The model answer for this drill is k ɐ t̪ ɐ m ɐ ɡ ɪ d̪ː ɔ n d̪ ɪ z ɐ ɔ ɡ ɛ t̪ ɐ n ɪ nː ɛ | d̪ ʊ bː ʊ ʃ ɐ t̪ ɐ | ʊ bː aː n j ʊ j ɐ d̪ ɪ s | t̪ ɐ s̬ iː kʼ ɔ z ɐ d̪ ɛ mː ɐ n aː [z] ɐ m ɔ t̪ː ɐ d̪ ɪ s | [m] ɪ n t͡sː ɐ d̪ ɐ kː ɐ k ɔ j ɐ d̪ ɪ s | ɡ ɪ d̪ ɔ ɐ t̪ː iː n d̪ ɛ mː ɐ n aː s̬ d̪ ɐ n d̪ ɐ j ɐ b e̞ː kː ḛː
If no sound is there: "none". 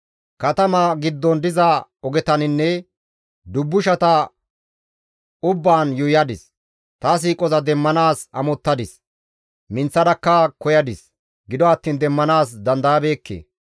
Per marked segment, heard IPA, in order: s, m

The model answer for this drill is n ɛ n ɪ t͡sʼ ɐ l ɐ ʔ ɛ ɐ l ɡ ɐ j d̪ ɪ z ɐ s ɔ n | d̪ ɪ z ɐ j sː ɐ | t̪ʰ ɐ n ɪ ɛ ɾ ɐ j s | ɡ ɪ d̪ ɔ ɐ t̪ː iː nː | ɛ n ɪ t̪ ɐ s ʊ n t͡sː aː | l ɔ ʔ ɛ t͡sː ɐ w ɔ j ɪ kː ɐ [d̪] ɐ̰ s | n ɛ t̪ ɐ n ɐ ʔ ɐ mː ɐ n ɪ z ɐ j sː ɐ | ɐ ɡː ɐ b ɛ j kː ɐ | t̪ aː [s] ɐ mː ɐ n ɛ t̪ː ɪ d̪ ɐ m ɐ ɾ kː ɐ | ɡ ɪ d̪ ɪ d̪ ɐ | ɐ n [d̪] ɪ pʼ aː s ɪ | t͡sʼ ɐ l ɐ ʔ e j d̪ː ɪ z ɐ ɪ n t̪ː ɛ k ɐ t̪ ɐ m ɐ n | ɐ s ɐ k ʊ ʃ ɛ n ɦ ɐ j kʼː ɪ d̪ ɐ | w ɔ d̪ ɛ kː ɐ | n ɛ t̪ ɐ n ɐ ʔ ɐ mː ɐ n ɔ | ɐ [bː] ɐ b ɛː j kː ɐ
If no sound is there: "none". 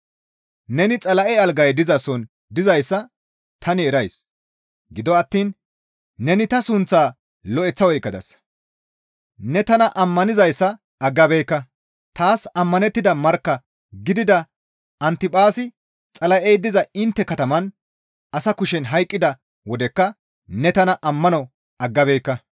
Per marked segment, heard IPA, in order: d̪, s, t̪, ɡː

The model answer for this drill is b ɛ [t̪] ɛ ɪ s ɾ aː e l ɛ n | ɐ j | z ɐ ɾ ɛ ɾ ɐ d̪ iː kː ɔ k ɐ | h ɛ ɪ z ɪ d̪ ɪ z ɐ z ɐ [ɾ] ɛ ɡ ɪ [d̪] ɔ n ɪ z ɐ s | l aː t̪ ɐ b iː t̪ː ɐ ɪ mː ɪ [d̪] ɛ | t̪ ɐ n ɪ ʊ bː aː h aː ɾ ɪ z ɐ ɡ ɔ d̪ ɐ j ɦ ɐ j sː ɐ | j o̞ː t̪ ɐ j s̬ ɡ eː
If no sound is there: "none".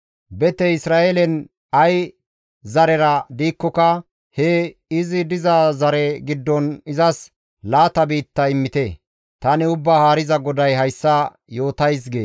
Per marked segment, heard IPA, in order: t̪, ɾ, d̪ː, t̪

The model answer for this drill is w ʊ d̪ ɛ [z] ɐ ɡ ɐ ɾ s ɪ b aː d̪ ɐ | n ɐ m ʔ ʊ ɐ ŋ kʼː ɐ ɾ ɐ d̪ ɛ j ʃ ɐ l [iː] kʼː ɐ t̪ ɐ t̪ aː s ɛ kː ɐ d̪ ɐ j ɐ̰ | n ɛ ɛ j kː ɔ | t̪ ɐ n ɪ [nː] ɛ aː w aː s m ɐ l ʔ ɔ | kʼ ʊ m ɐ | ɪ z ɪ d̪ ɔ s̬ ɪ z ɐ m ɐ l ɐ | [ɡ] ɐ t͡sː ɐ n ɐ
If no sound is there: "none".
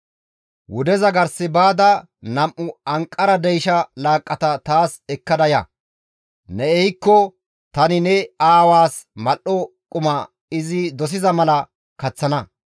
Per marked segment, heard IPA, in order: z, aː, n, k

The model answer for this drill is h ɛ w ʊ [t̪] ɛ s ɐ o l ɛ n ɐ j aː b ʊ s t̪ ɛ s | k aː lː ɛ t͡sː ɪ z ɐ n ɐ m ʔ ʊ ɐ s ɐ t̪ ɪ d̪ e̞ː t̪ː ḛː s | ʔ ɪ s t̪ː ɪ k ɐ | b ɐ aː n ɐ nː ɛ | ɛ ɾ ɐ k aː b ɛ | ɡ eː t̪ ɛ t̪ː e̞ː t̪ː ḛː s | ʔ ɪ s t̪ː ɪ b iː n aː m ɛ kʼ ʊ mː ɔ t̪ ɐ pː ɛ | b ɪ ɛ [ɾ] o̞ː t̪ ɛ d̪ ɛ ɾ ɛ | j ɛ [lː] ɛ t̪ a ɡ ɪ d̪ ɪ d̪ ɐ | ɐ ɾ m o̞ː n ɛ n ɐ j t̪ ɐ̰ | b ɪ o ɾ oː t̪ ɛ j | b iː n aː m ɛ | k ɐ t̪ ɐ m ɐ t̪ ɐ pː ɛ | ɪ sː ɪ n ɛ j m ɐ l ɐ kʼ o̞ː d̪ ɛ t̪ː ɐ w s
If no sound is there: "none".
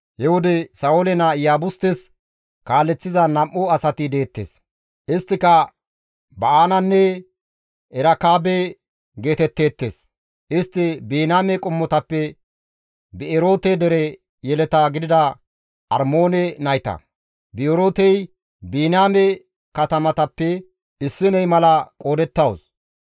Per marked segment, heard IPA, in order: d̪, ɾ, l

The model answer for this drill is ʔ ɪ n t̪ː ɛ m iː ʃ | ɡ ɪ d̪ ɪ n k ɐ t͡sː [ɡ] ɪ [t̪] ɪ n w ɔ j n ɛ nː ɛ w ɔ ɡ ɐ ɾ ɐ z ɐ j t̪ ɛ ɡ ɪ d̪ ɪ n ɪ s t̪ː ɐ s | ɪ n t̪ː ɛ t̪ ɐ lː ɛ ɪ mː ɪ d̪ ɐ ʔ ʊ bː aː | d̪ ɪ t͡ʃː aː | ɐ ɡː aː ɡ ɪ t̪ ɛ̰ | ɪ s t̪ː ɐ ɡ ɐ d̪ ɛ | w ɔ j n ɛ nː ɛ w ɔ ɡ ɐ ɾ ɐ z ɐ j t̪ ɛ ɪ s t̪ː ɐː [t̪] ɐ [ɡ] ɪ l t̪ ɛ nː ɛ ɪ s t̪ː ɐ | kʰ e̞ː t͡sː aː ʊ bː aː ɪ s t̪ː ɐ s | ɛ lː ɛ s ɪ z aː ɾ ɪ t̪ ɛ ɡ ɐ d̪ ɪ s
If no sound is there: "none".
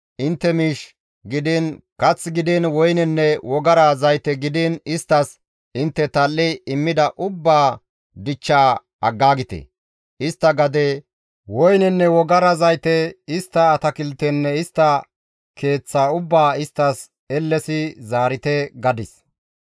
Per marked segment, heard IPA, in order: ɡ, d̪, t̪, k

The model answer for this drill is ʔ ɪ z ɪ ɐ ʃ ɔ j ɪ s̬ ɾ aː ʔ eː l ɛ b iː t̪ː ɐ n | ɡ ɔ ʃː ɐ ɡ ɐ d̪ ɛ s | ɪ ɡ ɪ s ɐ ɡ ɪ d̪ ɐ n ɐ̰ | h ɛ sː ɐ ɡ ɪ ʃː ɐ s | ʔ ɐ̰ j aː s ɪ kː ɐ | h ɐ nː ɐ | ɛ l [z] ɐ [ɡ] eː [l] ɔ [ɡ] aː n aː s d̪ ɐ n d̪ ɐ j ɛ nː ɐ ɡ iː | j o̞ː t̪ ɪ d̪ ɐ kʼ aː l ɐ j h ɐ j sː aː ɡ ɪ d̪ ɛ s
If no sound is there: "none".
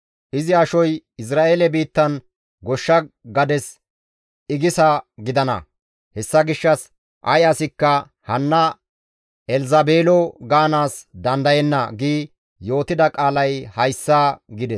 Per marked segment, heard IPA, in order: z, b, l, ɡ

